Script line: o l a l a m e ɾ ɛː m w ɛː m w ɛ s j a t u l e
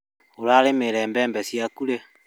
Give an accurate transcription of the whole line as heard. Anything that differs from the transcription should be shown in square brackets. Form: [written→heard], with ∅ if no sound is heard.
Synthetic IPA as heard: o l a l [a→e] m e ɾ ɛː m [w→b] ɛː m [w→b] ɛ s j a [t→k] u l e